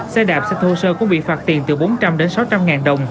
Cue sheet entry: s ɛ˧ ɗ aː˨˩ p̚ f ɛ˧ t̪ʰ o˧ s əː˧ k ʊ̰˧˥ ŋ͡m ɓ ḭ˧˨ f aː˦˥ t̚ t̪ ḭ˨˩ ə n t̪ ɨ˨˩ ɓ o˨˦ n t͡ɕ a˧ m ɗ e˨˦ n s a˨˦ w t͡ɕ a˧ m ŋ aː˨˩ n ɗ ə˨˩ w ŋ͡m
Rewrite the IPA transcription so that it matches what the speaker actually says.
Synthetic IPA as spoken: s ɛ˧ ɗ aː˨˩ p̚ s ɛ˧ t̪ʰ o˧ s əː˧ k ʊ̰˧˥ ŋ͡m ɓ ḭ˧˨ f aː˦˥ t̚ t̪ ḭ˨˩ ə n t̪ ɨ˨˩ ɓ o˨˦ n t͡ɕ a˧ m ɗ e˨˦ n s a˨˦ w t͡ɕ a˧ m ŋ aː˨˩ n ɗ ə˨˩ w ŋ͡m